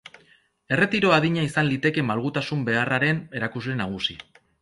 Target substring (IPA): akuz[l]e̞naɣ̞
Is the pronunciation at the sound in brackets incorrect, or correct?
correct